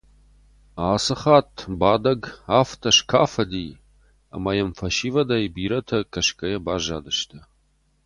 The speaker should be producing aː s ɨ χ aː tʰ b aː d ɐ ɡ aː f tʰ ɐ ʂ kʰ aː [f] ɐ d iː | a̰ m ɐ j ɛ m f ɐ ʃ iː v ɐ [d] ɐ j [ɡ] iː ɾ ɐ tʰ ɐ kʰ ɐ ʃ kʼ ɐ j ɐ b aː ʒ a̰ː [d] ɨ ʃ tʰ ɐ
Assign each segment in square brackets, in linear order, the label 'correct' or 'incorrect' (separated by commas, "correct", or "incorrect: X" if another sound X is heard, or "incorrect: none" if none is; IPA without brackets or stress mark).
correct, correct, incorrect: b, correct